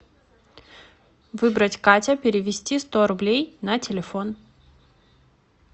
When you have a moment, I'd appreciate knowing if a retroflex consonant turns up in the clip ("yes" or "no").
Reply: no